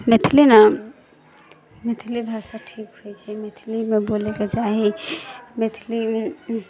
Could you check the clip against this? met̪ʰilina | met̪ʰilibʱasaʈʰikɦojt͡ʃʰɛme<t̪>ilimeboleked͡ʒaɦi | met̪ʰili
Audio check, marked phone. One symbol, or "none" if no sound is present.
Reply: t̪ʰ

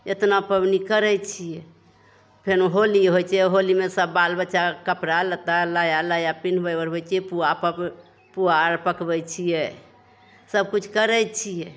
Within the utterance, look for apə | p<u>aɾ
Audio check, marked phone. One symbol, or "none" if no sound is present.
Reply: u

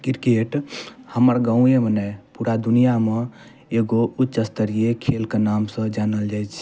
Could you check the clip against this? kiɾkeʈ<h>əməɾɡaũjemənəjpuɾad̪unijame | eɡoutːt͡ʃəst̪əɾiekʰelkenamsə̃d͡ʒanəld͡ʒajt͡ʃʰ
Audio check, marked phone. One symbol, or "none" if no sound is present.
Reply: h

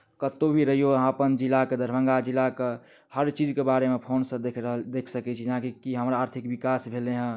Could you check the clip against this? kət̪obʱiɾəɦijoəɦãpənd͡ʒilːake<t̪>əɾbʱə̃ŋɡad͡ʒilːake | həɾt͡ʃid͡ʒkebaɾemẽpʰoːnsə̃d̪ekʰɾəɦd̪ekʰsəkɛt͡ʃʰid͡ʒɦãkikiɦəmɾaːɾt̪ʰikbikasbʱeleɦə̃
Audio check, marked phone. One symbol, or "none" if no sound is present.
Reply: d̪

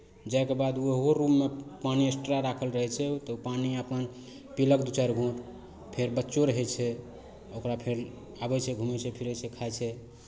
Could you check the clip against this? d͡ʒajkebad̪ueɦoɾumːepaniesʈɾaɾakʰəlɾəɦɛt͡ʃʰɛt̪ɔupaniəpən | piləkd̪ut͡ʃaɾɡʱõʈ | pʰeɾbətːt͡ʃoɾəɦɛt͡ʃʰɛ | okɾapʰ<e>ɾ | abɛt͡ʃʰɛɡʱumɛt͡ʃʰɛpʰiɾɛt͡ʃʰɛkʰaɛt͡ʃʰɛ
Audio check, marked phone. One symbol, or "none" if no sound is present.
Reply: e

